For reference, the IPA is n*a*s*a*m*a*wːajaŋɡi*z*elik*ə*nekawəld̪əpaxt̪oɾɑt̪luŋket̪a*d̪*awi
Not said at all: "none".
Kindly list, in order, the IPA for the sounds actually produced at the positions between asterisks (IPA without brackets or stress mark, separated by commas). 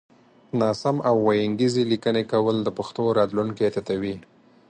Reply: ɑ, a, a, z, ə, t̪